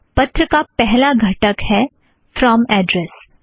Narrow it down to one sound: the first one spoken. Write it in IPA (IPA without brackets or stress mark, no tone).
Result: p